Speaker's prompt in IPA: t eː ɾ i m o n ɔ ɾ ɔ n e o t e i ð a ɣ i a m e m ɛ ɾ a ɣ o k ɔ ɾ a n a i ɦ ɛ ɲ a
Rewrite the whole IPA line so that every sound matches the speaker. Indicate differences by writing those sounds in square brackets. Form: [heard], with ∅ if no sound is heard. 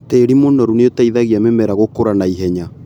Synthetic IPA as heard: t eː ɾ i m o n ɔ ɾ [u] n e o t [a] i ð a ɣ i a m e m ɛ ɾ a ɣ o k [o] ɾ a n a i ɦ ɛ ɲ a